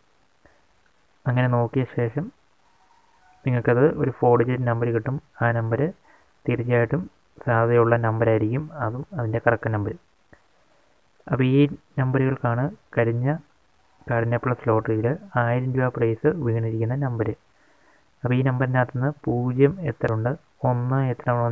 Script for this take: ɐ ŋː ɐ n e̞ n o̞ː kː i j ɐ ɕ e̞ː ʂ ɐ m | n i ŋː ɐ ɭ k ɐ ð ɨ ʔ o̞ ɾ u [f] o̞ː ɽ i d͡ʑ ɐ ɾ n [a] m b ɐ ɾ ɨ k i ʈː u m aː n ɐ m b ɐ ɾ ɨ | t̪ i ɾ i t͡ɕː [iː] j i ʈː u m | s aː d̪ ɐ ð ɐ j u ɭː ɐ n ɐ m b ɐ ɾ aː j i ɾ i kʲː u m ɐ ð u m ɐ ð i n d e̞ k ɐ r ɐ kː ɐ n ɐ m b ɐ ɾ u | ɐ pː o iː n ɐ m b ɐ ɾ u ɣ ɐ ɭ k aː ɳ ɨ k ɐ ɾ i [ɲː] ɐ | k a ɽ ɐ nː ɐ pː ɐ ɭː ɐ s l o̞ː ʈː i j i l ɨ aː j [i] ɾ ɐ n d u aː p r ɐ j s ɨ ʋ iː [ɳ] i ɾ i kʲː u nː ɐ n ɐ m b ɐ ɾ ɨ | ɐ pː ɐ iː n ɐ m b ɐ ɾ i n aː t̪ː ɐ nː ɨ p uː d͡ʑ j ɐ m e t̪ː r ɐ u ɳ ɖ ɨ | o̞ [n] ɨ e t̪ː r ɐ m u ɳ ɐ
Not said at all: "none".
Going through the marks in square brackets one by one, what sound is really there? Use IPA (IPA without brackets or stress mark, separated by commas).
f, ɐ, aː, ɲː, i, ɳ, nː